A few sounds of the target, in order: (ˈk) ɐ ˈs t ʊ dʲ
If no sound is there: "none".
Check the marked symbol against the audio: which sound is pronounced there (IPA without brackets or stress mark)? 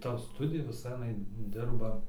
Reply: t